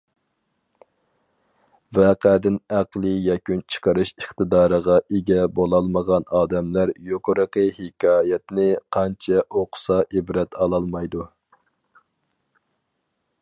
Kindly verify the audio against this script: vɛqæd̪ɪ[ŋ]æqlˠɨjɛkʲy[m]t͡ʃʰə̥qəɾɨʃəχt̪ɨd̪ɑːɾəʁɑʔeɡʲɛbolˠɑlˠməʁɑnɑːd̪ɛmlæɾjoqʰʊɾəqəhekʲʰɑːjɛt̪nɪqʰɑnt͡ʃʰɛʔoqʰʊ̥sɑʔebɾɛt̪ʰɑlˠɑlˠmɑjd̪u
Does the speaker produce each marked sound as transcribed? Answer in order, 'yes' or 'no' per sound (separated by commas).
no, no